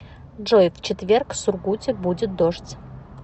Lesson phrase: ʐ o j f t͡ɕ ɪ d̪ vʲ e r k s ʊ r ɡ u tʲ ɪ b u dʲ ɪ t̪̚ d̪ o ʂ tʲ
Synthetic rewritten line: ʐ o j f t͡ɕ ɪ t̪ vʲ e r k s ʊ r ɡ u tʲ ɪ b u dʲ ɪ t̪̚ d̪ o ʂ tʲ